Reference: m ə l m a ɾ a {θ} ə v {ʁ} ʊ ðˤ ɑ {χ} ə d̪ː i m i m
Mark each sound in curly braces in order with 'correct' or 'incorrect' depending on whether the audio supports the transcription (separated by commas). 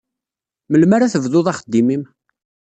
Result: correct, incorrect, correct